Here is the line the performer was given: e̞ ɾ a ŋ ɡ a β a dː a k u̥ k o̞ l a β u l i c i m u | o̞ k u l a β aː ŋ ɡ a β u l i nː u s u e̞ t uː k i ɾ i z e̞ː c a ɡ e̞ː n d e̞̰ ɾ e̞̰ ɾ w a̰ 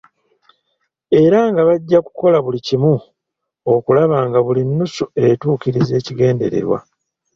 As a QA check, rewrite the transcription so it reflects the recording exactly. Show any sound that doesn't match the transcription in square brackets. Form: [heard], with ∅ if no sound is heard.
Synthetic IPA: e̞ ɾ a ŋ ɡ a β a [ɟː] a k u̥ k o̞ l a β u l i c i m u | o̞ k u l a β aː ŋ ɡ a β u l i nː u s u e̞ t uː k i ɾ i z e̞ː c [i] ɡ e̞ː n d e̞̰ ɾ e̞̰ ɾ w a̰